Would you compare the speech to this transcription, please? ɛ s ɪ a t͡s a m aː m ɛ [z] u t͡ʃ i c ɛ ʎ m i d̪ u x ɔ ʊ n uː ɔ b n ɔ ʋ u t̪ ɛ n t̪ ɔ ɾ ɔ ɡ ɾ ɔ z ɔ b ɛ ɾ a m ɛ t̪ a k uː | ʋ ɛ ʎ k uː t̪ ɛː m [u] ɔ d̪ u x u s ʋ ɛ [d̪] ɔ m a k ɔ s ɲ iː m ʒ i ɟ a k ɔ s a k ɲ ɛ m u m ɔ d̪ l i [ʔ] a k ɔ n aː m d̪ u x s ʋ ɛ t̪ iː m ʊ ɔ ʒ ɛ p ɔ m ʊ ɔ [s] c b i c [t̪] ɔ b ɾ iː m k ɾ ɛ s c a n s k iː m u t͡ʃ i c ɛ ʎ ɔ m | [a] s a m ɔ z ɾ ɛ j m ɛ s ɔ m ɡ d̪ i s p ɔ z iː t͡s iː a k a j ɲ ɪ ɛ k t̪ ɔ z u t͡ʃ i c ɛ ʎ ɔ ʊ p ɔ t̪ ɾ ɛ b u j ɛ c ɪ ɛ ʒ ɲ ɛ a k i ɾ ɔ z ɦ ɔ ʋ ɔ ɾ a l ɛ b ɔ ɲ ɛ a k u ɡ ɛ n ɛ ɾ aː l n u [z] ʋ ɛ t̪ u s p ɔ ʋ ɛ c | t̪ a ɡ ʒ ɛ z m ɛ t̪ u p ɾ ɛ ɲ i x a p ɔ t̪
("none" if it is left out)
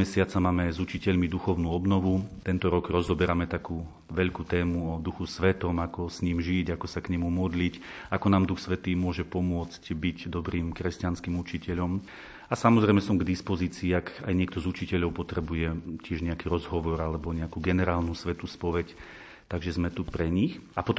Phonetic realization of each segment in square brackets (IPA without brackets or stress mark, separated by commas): z, u, t̪, c, t͡s, d̪, a, s